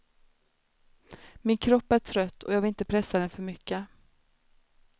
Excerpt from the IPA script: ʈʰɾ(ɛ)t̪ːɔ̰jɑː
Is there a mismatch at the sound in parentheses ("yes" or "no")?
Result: yes